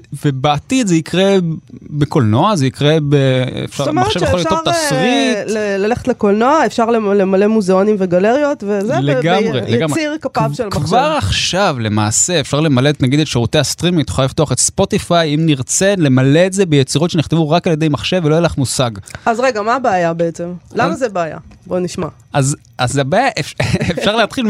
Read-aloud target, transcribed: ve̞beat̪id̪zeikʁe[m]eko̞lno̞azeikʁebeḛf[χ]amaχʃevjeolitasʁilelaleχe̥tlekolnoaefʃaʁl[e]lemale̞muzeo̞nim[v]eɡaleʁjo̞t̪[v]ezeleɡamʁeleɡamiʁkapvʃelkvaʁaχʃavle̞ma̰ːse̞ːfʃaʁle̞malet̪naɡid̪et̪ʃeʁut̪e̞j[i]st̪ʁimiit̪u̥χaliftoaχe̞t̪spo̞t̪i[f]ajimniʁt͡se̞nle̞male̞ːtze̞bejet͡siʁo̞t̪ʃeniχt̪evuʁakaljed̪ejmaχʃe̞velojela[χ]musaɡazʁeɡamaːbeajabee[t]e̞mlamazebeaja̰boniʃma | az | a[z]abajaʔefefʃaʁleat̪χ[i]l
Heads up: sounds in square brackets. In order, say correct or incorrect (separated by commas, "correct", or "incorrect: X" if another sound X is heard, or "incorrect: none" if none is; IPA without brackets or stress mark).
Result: incorrect: b, incorrect: ʃ, correct, correct, correct, incorrect: a, correct, correct, incorrect: t͡s, correct, correct